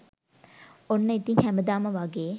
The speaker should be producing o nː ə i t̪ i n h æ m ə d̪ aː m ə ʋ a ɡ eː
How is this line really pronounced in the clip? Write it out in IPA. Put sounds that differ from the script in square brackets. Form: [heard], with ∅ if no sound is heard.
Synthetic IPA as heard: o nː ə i t̪ i [ŋ] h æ m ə d̪ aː m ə ʋ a ɡ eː